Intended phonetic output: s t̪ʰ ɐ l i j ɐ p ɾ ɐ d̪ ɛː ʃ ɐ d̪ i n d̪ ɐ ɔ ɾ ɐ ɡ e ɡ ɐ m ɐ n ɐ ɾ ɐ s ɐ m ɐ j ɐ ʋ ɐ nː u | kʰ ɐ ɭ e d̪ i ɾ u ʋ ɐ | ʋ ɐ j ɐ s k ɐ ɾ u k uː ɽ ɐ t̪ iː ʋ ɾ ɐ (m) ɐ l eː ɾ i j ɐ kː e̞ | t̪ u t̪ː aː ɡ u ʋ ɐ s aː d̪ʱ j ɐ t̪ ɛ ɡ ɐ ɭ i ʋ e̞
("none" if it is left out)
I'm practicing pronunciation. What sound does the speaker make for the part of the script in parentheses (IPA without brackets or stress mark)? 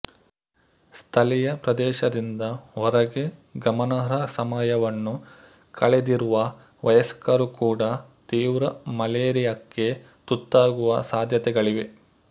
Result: m